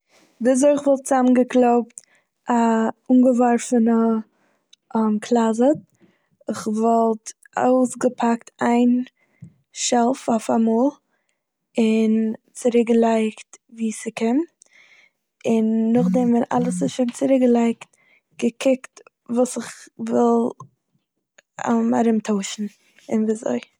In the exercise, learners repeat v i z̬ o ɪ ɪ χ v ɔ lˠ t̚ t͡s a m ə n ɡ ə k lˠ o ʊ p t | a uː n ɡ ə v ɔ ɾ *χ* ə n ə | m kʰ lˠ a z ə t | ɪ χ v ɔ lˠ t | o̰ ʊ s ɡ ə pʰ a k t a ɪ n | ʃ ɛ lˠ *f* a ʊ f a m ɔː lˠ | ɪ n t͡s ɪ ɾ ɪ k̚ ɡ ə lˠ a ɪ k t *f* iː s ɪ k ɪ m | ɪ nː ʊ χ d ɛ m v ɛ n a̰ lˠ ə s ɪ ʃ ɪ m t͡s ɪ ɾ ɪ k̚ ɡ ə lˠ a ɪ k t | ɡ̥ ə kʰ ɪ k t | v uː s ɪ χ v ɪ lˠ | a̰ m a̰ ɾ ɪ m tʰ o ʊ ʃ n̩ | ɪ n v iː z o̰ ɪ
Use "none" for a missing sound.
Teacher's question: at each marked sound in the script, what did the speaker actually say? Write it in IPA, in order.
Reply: f, f, v

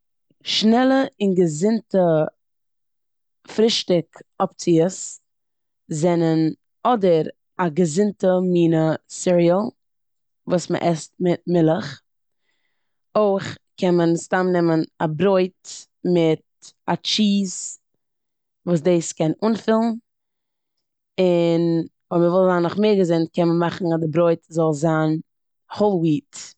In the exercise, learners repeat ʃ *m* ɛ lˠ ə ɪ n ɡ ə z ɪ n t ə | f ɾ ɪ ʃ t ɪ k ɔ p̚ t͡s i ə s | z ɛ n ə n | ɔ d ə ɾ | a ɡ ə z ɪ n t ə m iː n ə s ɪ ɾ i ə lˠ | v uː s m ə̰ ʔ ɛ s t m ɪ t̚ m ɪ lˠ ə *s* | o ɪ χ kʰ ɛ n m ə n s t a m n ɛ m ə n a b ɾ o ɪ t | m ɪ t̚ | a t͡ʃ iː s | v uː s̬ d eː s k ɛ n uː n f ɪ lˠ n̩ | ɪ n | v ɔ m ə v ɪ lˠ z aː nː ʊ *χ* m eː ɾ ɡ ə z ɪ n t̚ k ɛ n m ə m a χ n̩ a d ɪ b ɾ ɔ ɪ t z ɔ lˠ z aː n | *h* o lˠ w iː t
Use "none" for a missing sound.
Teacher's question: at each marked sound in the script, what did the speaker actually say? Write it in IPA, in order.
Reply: n, χ, χ, h

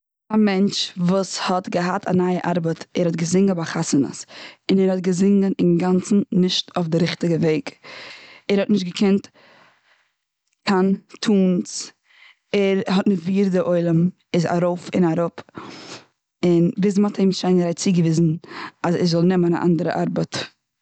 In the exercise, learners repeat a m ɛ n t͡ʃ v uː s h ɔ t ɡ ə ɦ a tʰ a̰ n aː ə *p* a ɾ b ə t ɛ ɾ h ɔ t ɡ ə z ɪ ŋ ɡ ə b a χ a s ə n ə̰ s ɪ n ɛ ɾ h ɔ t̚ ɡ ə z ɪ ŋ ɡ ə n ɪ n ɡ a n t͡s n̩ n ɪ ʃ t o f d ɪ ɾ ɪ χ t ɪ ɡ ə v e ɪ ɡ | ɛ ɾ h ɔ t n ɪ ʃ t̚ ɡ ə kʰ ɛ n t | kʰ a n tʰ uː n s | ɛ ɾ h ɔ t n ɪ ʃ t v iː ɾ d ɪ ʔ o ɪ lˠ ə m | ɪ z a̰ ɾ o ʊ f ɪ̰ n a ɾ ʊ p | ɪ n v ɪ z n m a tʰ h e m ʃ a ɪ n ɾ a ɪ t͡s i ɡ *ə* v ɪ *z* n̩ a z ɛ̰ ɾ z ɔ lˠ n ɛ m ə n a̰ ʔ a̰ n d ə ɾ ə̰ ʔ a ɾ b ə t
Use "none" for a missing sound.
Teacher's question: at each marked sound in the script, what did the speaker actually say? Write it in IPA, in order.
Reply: ʔ, ə, z

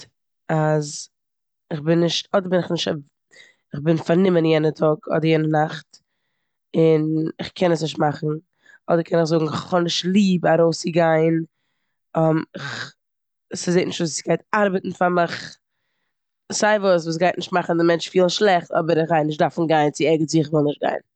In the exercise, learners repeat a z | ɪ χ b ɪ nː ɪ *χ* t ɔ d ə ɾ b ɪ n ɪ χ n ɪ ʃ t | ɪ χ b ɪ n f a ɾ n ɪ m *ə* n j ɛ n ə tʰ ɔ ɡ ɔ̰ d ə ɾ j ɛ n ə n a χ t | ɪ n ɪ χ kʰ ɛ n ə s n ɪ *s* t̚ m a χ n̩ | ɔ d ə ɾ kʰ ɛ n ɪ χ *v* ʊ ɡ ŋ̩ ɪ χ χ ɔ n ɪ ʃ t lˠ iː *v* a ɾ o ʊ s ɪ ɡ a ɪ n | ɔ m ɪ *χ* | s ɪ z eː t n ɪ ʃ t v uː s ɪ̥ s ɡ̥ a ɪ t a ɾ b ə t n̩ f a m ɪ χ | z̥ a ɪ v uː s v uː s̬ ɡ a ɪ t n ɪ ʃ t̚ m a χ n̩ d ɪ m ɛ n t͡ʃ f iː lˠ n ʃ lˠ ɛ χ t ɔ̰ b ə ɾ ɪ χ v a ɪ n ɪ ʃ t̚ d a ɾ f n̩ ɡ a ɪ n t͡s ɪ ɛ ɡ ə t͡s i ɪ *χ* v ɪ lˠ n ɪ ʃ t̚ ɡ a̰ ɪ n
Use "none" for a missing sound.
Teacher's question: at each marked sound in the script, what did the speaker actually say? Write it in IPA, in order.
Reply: ʃ, ə, ʃ, z, b, χ, χ

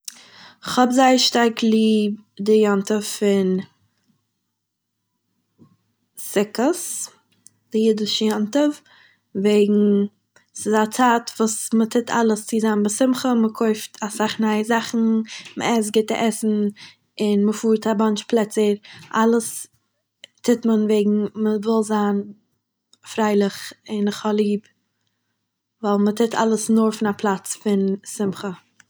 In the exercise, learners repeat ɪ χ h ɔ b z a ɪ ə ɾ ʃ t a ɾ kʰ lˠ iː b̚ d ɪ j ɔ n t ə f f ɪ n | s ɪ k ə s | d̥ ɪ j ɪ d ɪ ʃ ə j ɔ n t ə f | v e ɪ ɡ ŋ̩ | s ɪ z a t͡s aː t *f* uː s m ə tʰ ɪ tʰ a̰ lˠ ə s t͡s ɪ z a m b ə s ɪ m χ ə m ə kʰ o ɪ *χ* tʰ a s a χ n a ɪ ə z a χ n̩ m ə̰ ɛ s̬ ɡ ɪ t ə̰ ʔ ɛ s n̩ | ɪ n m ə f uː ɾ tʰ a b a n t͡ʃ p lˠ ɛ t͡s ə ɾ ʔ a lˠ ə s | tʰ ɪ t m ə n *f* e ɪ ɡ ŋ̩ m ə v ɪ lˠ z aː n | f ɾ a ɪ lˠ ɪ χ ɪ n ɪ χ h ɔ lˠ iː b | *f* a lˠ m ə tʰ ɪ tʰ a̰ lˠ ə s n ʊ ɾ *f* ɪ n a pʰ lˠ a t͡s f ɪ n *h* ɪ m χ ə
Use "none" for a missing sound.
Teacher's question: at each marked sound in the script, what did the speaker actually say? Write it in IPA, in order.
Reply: v, f, v, v, f, s

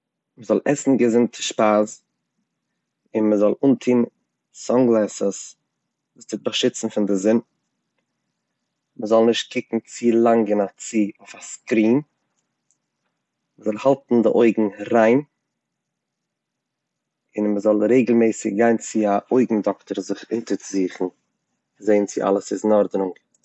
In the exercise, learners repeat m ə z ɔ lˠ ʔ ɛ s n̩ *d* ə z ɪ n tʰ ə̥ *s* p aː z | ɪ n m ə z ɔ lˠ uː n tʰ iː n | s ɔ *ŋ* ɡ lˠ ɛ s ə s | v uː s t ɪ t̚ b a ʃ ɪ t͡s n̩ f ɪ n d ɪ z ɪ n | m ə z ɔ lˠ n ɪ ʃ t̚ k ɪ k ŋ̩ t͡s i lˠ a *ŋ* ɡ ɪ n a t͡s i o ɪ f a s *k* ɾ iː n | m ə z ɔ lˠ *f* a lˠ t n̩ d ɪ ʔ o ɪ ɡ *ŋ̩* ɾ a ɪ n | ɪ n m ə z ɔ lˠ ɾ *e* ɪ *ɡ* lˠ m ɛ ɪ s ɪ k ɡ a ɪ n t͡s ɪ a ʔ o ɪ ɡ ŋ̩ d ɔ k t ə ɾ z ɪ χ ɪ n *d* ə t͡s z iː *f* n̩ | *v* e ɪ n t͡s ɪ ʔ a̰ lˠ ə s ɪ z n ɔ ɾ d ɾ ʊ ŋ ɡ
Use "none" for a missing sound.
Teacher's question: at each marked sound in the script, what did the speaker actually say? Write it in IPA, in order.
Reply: ɡ, ʃ, ŋ, ŋ, k, h, ŋ̩, e, ɡ, t, χ, z

